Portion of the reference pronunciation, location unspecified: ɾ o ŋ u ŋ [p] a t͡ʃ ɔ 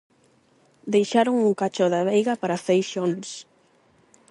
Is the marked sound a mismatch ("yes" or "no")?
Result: yes